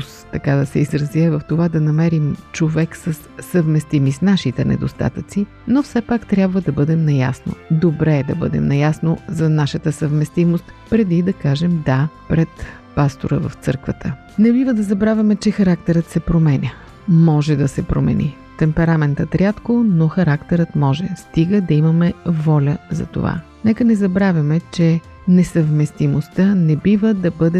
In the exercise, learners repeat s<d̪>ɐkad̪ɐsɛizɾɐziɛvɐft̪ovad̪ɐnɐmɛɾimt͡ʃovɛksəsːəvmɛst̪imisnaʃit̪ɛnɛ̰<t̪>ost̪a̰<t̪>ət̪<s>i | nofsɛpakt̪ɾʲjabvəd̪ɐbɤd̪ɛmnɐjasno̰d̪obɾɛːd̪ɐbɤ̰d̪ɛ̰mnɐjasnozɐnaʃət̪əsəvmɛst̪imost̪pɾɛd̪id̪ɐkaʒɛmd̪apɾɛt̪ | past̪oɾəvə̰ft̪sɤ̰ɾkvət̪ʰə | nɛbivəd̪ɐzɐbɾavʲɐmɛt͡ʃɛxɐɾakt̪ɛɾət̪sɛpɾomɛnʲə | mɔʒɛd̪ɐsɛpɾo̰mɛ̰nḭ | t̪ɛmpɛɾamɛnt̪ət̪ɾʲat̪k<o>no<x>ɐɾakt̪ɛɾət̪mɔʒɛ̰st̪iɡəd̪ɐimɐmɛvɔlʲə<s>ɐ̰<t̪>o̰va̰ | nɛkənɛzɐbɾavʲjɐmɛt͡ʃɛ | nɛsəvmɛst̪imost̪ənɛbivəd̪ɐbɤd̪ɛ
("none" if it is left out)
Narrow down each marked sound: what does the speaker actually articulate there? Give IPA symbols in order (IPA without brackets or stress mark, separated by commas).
t̪, d̪, t̪, s, o, x, z, t̪